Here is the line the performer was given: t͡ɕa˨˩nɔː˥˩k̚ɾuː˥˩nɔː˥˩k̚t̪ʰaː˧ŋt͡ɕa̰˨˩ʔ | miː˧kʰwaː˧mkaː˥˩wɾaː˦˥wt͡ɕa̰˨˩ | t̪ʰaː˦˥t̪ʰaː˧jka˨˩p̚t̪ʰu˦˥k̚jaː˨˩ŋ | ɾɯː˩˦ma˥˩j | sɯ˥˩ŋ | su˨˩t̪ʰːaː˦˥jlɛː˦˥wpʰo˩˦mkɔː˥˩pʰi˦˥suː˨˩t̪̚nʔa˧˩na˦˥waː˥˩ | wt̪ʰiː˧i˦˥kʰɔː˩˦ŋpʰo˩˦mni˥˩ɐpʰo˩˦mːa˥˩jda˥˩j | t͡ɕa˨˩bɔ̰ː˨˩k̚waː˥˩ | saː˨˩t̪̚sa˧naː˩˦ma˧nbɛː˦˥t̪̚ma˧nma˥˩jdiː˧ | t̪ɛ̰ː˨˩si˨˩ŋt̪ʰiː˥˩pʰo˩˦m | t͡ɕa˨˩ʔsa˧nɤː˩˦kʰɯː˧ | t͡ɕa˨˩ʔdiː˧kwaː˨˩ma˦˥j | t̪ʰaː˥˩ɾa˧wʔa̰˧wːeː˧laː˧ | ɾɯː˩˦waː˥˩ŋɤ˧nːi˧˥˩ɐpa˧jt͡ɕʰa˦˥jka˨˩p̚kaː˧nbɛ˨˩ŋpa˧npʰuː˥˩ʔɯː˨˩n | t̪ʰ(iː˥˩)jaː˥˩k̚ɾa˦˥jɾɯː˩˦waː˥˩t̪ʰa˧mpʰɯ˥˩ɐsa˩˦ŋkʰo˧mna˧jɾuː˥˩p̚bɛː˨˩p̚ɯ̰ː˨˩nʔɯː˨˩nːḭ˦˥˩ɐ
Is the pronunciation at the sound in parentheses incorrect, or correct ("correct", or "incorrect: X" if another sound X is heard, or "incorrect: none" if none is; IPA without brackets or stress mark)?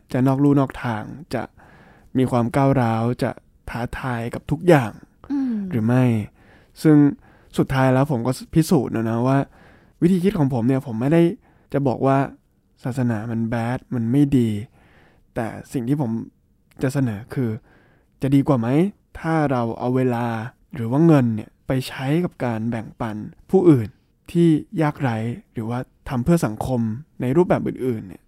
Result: correct